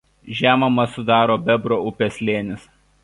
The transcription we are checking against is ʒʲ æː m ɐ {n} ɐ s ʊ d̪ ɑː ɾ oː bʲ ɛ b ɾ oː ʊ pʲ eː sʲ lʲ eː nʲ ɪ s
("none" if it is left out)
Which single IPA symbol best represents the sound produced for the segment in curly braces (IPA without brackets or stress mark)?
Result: m